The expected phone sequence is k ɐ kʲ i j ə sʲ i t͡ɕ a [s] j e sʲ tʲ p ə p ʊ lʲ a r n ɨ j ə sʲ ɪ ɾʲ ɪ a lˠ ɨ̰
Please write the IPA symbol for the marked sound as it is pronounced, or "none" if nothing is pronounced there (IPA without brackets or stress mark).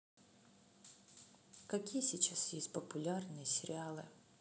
s